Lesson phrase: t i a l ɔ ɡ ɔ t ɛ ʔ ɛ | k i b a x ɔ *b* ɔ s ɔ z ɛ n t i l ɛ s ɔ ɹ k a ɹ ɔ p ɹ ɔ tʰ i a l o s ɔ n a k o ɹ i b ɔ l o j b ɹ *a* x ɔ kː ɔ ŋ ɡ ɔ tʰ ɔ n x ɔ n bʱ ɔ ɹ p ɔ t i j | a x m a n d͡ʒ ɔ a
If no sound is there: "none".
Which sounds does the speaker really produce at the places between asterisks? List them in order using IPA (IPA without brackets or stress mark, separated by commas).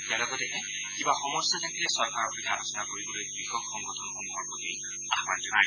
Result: m, i